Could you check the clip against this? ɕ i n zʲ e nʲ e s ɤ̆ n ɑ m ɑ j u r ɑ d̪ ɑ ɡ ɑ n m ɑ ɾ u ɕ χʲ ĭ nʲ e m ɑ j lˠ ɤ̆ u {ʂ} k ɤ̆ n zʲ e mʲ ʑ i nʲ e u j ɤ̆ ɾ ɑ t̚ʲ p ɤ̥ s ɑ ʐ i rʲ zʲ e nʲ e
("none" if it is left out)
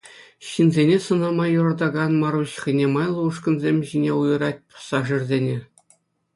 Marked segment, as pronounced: ʂ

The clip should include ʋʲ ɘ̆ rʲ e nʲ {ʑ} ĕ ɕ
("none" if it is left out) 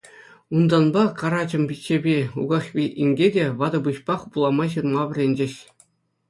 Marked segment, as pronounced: d͡ʑ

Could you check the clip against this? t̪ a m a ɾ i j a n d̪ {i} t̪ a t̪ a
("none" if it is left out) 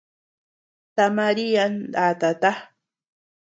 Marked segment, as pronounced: a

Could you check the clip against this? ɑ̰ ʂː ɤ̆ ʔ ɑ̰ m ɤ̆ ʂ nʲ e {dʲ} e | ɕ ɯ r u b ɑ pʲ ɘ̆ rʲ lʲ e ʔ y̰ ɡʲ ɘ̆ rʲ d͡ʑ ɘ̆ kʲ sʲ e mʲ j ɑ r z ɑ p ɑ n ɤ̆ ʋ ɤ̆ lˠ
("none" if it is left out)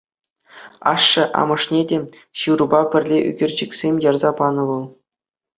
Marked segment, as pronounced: dʲ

